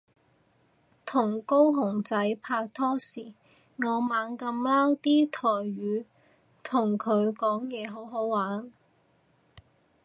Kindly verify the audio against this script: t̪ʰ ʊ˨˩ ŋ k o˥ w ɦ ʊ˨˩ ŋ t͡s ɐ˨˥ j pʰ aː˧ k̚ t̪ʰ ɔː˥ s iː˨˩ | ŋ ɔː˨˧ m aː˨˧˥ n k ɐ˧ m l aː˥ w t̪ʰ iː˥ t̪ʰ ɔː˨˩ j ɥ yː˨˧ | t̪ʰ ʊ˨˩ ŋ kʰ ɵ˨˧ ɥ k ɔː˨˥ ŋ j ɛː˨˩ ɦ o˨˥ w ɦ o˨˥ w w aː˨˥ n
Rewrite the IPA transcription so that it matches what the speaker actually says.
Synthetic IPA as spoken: t̪ʰ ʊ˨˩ ŋ k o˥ w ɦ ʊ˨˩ ŋ t͡s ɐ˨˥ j pʰ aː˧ k̚ t̪ʰ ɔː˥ s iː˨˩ | ŋ ɔː˨˧ m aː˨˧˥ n k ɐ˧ m l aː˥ w t̪ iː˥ t̪ʰ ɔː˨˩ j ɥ yː˨˧ | t̪ʰ ʊ˨˩ ŋ kʰ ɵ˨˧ ɥ k ɔː˨˥ ŋ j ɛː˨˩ ɦ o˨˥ w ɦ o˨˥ w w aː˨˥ n